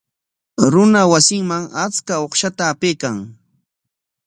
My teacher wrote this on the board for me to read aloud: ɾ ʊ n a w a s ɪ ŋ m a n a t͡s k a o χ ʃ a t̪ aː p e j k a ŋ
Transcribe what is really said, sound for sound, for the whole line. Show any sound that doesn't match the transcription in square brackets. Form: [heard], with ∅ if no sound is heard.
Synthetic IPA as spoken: ɾ ʊ n a w a s ɪ ŋ m a [ŋ] a t͡s k a o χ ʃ a t̪ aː p e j k a ŋ